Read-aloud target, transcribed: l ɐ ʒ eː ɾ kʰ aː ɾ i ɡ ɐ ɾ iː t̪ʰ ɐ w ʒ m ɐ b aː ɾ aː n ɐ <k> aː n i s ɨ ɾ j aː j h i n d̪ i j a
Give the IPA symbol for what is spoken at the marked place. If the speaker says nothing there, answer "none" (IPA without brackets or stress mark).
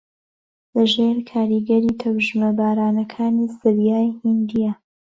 kʰ